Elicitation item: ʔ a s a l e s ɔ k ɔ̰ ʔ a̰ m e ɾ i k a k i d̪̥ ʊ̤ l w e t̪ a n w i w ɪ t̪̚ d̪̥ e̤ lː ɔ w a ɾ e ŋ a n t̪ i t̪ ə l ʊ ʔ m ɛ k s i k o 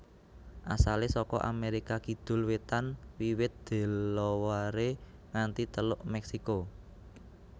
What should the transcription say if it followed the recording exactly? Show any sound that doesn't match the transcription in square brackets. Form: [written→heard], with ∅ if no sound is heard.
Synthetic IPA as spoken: ʔ a s a l e s ɔ k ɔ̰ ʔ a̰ m e ɾ i k a k i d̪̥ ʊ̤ l w e t̪ a n w i w ɪ t̪̚ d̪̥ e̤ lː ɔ w a ɾ e ŋ a n t̪ i t̪ ə l ʊ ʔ m ɛ k s i k o

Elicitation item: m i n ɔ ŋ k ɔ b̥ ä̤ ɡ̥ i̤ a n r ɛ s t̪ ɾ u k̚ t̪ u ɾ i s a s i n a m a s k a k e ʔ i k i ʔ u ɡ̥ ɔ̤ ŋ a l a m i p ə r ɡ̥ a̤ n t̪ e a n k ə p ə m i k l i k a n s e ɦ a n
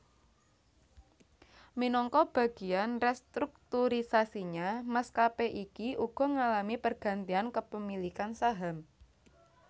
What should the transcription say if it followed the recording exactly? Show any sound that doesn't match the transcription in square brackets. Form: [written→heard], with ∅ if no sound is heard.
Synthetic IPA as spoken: m i n ɔ ŋ k ɔ b̥ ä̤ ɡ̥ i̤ a n r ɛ s t̪ ɾ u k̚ t̪ u ɾ i s a s i [n→ɲ] a m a s k a [k→p] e ʔ i k i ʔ u ɡ̥ ɔ̤ ŋ a l a m i p ə r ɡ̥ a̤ n t̪ [e→i] a n k ə p ə m i [k→∅] l i k a n s [e→a] ɦ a [n→m]

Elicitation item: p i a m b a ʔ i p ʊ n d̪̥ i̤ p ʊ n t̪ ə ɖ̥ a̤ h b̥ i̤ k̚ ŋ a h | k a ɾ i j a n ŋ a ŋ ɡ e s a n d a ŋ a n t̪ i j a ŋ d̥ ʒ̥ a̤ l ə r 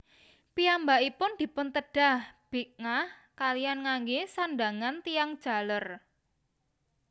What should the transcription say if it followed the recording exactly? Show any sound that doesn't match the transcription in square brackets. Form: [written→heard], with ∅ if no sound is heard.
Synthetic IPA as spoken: p i a m b a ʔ i p ʊ n d̪̥ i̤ p ʊ n t̪ ə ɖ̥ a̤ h b̥ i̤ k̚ ŋ a h | k a [ɾ→l] i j a n ŋ a ŋ ɡ e s a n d a ŋ a n t̪ i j a ŋ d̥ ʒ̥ a̤ l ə r

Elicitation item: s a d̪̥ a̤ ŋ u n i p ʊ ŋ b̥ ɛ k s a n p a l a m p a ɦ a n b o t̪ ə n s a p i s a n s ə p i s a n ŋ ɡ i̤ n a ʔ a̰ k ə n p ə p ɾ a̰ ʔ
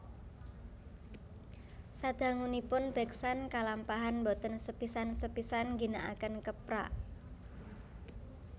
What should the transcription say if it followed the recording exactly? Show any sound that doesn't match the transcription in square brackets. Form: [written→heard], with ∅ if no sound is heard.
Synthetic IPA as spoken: s a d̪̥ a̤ ŋ u n i p ʊ [ŋ→n] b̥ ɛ k s a n [p→k] a l a m p a ɦ a n b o t̪ ə n s [a→ə] p i s a n s ə p i s a n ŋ ɡ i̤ n a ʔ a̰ k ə n [p→k] ə p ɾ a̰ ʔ

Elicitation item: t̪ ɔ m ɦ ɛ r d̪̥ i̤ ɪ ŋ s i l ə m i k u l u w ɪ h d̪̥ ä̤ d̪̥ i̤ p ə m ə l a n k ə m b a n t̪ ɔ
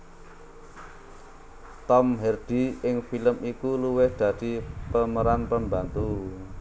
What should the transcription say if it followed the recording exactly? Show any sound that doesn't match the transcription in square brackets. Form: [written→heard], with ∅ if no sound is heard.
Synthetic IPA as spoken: t̪ ɔ m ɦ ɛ r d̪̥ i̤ ɪ ŋ [s→f] i l ə m i k u l u w ɪ h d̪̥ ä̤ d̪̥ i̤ p ə m ə [l→ɾ] a n [k→p] ə m b a n t̪ [ɔ→u]

